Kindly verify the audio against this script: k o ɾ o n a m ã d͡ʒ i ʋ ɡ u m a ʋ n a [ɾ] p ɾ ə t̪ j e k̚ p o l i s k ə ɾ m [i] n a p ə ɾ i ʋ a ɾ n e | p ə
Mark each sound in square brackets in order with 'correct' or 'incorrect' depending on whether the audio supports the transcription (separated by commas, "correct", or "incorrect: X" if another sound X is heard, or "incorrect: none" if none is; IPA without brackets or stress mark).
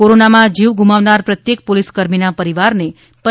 correct, correct